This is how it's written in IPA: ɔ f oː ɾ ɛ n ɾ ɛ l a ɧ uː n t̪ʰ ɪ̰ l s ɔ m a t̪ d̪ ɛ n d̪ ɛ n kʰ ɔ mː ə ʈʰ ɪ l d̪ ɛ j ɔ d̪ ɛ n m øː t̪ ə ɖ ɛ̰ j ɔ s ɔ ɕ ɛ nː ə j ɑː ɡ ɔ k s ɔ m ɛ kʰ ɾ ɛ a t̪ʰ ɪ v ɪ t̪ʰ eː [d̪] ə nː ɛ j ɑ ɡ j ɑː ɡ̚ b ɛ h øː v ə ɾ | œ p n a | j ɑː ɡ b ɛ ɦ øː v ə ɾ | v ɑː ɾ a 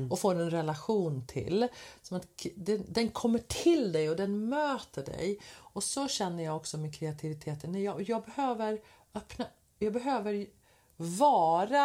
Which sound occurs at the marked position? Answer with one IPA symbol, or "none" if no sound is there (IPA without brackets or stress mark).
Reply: t̪